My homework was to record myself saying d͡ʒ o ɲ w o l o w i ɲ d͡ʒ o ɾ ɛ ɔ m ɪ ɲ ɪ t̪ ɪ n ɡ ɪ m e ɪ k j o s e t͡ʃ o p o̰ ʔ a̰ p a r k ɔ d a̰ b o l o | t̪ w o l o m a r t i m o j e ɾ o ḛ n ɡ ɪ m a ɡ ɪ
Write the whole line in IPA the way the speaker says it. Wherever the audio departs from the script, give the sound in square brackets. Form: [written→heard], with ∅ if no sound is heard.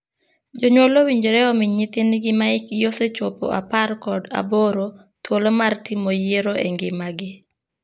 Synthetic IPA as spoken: d͡ʒ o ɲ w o l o w i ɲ d͡ʒ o ɾ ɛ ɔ m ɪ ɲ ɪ t̪ ɪ n ɡ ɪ m [e→a] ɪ k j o s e t͡ʃ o p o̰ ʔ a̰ p a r k ɔ d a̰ b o [l→ɾ] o | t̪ w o l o m a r t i m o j e ɾ o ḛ [n→ŋ] ɡ ɪ m a ɡ ɪ